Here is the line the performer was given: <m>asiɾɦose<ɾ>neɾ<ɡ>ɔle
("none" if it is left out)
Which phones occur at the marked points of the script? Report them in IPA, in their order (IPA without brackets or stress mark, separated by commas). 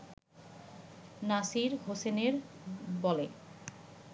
n, none, b